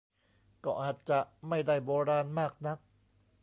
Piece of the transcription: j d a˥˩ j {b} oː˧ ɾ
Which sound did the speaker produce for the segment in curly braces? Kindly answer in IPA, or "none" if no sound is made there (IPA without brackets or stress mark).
b